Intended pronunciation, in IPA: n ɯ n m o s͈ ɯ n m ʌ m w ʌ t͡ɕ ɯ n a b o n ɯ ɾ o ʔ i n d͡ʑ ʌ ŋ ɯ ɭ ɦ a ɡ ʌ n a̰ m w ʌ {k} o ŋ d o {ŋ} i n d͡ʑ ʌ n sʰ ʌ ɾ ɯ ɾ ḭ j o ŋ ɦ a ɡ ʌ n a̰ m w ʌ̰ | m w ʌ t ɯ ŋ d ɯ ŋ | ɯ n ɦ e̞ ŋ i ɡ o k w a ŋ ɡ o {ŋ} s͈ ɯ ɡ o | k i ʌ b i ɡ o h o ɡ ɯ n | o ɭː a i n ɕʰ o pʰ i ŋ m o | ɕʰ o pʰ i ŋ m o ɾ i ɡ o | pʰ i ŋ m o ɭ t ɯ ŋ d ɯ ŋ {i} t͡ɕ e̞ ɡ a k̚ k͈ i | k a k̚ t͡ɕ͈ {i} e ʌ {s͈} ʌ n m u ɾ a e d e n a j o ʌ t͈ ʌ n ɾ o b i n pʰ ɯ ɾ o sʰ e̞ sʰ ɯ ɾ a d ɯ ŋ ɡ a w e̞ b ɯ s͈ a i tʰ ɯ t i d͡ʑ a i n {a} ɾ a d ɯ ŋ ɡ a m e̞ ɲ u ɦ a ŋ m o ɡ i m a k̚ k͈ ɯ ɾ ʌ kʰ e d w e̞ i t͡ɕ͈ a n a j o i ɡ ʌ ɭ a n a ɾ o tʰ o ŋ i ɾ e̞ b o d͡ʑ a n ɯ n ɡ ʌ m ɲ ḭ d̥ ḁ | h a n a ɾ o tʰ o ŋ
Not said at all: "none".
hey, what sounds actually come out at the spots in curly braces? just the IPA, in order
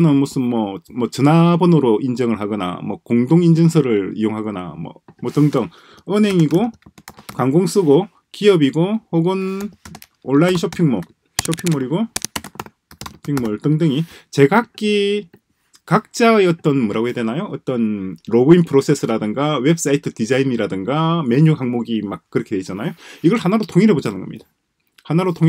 k, ŋ, ŋ, i, a, t͈, i

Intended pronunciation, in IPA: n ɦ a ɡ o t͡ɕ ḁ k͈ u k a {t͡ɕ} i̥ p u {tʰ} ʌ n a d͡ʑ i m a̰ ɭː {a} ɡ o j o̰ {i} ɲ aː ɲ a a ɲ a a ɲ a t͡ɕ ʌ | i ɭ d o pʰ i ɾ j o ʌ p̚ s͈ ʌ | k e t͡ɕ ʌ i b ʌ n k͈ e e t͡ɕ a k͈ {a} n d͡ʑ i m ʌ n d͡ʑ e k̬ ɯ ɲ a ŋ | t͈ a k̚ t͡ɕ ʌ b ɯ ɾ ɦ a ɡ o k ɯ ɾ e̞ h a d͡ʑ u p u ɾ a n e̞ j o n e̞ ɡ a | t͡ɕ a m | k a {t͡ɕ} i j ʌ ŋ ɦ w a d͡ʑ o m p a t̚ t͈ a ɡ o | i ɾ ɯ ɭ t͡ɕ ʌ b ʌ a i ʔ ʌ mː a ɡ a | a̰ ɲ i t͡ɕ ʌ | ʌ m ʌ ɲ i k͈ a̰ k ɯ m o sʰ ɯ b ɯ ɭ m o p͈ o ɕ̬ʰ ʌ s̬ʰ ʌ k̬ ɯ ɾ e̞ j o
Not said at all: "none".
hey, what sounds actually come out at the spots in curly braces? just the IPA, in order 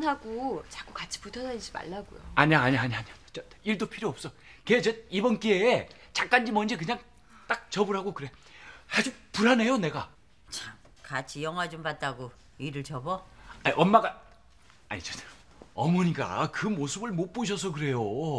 t͡ɕʰ, tʰ, a, a, a, t͡ɕʰ

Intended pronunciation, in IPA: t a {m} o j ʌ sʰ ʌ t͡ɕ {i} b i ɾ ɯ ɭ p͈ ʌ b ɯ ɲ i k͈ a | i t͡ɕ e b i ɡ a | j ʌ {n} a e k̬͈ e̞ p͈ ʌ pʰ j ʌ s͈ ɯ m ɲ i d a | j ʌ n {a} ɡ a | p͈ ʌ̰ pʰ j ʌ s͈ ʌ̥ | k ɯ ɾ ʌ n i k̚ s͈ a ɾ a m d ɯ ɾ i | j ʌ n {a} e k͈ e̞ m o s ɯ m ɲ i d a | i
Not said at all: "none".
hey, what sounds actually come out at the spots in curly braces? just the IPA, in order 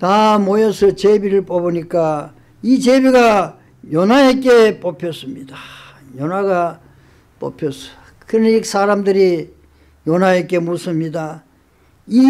m, e, n, a, a

